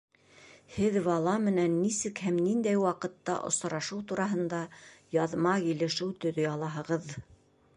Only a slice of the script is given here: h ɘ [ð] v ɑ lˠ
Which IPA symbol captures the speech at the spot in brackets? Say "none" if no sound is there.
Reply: ð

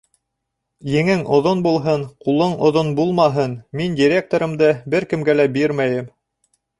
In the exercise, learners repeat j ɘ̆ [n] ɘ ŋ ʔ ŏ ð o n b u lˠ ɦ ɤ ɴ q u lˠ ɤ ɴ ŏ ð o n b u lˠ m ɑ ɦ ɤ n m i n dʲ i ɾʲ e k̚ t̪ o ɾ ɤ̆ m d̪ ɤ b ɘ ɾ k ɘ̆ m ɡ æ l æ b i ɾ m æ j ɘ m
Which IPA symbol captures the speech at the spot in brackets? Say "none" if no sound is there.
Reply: ŋ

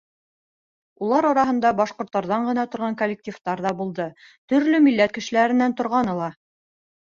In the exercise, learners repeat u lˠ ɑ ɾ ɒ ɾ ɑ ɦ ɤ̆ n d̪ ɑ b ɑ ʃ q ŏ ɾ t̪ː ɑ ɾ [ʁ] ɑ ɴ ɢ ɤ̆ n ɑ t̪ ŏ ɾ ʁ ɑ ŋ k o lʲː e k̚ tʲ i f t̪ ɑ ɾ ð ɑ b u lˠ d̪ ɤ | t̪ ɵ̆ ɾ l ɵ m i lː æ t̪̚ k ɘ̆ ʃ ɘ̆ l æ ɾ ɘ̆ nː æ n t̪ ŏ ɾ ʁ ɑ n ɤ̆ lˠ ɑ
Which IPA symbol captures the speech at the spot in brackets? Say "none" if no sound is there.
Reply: ð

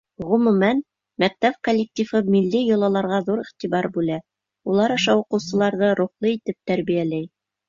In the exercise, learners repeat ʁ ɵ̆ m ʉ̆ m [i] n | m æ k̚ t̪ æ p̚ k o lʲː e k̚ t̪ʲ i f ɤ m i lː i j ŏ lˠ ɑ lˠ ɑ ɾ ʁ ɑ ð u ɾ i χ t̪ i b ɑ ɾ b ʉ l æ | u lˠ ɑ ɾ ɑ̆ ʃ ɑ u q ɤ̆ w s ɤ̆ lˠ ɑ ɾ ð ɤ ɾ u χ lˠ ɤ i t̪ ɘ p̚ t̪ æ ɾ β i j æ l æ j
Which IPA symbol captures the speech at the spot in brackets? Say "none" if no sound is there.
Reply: æ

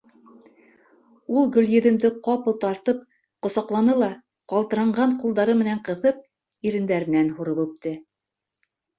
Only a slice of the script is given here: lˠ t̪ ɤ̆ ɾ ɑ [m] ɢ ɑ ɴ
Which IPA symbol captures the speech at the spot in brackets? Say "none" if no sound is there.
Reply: ɴ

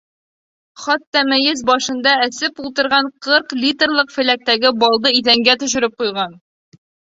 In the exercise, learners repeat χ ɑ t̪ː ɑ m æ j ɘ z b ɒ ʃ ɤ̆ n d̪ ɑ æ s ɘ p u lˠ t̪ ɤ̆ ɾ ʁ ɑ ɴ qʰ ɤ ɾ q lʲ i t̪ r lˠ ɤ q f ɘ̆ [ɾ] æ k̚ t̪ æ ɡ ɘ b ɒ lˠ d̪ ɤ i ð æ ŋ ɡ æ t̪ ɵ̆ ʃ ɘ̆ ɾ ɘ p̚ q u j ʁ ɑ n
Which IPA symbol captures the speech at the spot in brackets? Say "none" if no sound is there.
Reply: l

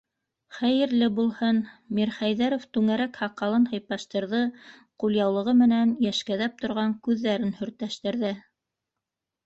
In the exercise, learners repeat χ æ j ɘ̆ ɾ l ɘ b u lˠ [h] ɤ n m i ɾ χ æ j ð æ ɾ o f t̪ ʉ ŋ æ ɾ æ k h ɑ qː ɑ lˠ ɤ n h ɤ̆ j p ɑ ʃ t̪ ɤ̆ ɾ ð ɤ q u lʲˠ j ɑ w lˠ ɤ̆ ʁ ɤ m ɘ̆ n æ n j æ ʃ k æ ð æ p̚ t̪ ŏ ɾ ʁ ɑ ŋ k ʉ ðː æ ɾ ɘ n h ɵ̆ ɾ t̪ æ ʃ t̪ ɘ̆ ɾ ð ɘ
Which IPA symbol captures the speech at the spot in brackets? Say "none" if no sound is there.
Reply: h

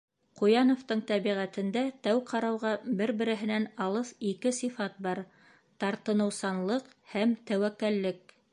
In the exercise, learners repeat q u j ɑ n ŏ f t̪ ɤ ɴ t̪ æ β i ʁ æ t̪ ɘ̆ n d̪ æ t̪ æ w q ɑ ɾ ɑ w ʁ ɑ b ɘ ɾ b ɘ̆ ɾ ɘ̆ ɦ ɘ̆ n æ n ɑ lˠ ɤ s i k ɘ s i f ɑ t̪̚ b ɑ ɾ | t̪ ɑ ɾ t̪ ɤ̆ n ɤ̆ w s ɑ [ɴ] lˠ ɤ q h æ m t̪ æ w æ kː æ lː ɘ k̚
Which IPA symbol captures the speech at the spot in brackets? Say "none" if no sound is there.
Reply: n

